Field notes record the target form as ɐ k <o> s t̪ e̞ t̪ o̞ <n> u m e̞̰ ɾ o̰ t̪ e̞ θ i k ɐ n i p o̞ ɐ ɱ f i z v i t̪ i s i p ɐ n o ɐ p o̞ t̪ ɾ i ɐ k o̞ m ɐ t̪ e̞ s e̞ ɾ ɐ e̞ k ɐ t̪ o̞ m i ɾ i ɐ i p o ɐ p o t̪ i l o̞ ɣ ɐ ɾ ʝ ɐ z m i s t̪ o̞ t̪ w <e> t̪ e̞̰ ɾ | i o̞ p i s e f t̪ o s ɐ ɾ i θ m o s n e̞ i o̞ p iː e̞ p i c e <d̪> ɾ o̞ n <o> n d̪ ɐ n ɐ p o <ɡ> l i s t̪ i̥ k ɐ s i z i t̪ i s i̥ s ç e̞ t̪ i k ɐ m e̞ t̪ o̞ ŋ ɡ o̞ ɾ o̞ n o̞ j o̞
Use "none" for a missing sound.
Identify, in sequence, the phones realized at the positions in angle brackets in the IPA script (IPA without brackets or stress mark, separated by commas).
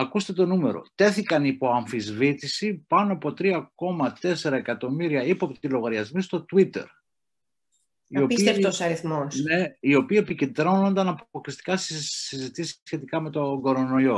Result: u, n, i, d̪, o, k